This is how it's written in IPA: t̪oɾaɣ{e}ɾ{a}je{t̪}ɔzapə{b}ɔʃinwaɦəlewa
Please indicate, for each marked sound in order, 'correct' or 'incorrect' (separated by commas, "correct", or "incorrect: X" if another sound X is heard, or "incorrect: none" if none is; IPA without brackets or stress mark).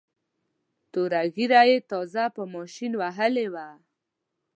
incorrect: i, correct, correct, incorrect: m